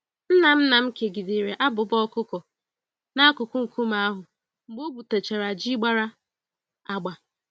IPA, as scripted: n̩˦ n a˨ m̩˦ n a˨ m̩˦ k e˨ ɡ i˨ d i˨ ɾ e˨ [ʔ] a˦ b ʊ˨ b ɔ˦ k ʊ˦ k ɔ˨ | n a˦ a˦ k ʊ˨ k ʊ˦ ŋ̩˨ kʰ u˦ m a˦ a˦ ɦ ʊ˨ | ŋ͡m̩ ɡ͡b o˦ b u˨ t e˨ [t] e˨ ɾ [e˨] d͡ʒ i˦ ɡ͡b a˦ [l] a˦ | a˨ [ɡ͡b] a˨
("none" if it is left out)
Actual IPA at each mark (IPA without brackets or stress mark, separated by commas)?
ʔ, t͡ʃ, a˨, ɾ, ɡ͡b